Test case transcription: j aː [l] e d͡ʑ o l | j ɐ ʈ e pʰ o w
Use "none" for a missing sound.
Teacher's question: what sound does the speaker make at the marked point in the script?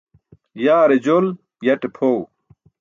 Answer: ɾ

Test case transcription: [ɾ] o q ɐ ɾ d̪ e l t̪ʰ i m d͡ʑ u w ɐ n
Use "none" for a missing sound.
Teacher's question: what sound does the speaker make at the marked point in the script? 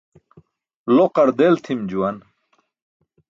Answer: l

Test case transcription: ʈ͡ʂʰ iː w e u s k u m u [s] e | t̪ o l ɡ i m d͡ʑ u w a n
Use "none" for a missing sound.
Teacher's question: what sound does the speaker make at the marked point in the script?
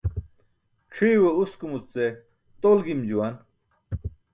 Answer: t͡s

